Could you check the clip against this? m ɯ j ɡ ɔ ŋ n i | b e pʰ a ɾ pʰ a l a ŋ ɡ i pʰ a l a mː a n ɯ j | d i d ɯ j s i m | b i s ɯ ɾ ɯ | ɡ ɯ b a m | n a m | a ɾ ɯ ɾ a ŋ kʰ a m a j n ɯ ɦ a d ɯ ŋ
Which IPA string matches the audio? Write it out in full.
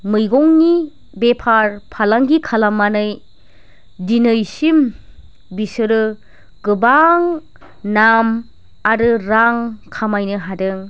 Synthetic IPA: m ɯ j ɡ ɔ ŋ n i | b e pʰ a ɾ pʰ a l a ŋ ɡ i kʰ a l a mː a n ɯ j | d i n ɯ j s i m | b i s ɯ ɾ ɯ | ɡ ɯ b a ŋ | n a m | a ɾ ɯ ɾ a ŋ kʰ a m a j n ɯ ɦ a d ɯ ŋ